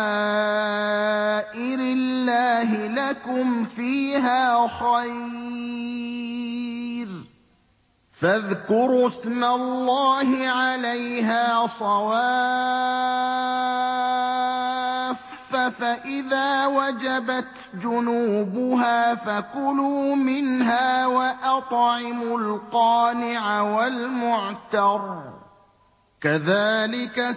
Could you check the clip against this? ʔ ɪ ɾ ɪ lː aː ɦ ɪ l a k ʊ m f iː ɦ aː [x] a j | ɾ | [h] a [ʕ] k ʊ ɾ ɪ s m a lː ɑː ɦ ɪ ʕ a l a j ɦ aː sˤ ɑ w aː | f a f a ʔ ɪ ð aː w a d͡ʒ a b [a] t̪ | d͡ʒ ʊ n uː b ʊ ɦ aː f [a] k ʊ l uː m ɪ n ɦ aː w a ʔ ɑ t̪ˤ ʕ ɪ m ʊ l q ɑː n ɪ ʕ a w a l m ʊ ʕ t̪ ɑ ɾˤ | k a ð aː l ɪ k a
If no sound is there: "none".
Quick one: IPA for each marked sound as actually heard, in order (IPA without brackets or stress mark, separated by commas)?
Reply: x, f, ð, a, a